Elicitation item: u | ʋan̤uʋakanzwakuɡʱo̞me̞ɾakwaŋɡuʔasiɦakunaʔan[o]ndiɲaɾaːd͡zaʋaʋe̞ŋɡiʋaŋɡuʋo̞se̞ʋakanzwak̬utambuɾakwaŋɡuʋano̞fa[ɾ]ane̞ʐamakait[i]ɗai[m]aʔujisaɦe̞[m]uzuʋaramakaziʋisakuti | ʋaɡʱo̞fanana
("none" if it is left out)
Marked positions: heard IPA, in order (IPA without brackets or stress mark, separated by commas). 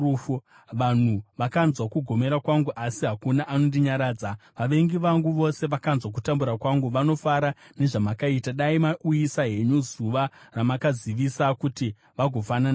o, ɾ, a, m, ɲ